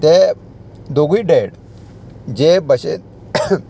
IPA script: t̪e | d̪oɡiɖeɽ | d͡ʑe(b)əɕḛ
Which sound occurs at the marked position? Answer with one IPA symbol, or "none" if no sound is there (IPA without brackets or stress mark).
b